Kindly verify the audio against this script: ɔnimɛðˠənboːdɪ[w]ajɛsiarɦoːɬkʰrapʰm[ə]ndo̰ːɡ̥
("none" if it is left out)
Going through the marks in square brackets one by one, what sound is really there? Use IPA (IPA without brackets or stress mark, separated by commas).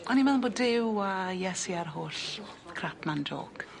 w, a